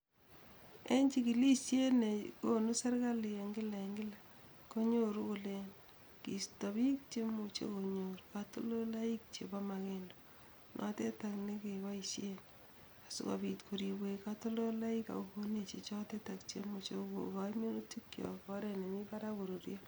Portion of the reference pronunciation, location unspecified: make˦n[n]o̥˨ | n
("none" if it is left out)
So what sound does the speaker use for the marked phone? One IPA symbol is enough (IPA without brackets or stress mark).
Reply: d